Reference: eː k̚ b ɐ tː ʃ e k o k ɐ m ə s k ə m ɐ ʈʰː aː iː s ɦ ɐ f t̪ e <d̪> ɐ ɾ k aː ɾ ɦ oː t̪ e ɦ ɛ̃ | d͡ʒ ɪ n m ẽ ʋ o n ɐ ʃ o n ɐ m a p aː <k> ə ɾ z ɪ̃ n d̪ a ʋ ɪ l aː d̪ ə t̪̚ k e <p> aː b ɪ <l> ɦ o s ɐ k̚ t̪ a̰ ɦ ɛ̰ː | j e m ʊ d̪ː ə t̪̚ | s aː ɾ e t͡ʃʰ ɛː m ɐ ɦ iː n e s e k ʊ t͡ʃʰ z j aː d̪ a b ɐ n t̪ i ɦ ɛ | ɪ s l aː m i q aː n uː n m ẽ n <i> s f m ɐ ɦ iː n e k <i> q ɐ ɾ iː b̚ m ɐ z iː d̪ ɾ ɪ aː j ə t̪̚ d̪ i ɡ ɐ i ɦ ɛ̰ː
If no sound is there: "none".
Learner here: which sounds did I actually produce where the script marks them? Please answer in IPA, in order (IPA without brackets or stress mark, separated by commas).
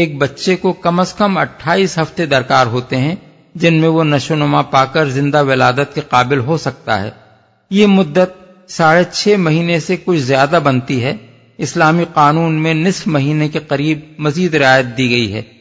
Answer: d̪, k, q, l, ɪ, e